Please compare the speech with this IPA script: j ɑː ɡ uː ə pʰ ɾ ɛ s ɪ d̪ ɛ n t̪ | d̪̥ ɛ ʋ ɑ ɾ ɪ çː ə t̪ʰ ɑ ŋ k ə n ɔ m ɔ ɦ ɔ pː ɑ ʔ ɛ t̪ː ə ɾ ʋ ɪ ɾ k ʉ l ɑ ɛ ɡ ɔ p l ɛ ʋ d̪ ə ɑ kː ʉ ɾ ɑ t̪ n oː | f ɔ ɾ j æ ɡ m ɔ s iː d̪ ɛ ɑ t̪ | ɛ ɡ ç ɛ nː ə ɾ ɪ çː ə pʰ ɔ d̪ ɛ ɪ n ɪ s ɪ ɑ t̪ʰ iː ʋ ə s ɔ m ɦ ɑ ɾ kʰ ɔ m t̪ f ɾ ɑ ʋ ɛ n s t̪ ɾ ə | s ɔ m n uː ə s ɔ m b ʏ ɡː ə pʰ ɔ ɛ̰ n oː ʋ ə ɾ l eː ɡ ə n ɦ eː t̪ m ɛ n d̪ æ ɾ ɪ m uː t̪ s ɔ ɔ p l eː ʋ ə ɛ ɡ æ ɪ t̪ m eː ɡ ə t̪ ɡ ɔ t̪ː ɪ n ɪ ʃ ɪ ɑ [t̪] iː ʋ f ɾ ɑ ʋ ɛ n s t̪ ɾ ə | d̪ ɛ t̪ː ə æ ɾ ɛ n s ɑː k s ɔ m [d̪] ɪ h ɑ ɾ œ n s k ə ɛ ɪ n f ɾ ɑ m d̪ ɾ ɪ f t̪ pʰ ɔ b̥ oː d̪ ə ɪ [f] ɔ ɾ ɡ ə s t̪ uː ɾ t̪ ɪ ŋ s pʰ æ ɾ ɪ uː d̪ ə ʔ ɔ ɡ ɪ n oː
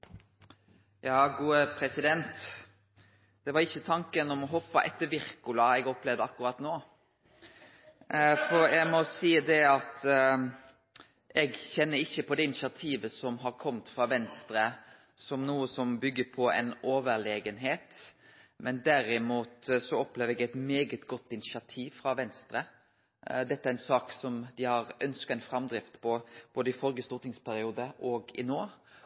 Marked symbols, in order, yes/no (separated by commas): no, yes, yes